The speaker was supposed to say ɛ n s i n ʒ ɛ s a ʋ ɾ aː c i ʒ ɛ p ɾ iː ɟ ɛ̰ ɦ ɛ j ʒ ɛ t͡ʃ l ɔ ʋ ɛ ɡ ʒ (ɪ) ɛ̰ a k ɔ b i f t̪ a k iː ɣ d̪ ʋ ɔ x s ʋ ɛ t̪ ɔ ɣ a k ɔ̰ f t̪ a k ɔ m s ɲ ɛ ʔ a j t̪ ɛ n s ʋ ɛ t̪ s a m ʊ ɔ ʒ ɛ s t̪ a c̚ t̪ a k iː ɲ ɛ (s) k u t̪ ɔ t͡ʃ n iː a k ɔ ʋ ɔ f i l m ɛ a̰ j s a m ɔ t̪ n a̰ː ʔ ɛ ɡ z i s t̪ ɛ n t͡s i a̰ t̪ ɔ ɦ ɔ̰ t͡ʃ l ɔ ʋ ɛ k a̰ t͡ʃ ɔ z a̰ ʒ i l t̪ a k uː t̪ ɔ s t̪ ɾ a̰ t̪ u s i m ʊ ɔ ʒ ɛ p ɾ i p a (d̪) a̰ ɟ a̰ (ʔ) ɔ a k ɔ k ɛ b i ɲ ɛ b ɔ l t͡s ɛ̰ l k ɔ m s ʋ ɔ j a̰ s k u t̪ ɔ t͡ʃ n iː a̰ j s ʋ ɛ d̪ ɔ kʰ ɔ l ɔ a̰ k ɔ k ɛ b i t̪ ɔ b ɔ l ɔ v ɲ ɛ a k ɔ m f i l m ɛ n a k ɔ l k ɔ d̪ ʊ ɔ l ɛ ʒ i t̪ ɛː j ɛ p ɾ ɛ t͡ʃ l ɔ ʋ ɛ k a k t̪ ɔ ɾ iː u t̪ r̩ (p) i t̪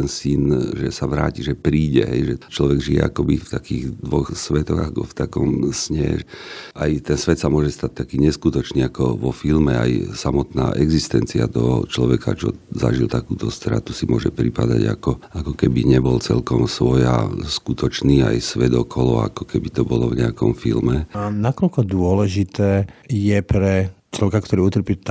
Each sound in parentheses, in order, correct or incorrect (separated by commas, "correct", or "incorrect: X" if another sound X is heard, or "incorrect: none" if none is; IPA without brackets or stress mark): incorrect: i, correct, correct, incorrect: k, correct